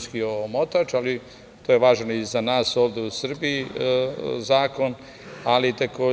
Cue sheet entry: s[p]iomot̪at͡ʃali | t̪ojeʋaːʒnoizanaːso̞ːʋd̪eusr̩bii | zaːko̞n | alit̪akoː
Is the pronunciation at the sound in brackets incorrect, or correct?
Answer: incorrect